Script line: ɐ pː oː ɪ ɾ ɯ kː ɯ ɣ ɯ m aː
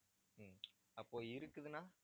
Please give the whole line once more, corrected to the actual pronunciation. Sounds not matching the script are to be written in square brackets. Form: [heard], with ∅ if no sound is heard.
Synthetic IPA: ɐ pː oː ɪ ɾ ɯ kː ɯ [ð] ɯ [n] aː